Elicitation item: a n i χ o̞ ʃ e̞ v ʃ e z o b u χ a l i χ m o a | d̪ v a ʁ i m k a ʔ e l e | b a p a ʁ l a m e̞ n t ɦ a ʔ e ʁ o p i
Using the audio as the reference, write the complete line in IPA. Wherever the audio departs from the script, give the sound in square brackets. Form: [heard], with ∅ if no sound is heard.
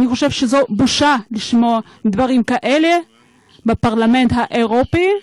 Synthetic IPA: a n i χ o̞ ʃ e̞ v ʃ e z o b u [ʃ] a l i [ʃ] m o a | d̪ v a ʁ i m k a ʔ e l e | b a p a ʁ l a m e̞ n t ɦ a ʔ e ʁ o p i

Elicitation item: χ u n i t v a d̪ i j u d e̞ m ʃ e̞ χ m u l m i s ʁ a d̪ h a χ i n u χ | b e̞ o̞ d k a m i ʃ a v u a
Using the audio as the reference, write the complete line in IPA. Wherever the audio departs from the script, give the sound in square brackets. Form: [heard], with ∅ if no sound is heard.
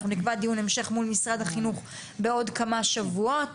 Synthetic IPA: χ u n i [k] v a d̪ i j u [n] e̞ m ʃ e̞ χ m u l m i s ʁ a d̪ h a χ i n u χ | b e̞ o̞ d k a m [a] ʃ a v u a

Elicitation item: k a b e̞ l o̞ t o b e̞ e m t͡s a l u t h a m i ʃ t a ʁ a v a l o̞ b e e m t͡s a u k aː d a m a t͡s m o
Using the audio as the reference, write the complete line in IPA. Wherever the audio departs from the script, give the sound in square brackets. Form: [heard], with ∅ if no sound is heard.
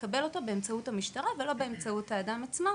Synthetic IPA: k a b e̞ l o̞ t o b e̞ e m t͡s a [∅] u t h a m i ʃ t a ʁ a v [e] l o̞ b e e m t͡s a u [t] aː d a m a t͡s m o

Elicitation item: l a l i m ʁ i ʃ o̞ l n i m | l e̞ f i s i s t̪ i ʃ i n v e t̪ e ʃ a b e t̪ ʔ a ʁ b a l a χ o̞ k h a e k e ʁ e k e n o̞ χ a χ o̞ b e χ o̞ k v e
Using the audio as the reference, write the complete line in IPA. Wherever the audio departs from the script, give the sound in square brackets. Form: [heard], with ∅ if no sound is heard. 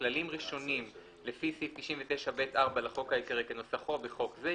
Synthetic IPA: l a l i m ʁ i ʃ o̞ [∅] n i m | l e̞ f i s i [f] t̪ i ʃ i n v e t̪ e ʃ a b e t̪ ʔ a ʁ b a l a χ o̞ k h a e k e ʁ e k e n o̞ [s] a χ o̞ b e χ o̞ k [z] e

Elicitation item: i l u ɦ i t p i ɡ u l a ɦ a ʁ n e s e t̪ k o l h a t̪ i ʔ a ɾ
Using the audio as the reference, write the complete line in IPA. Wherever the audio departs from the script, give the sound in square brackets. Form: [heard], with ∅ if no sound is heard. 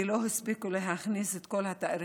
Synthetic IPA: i l [o] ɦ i [s] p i [k] u l [e] ɦ a [χ] n [i] s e t̪ k o l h a t̪ [a] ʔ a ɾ

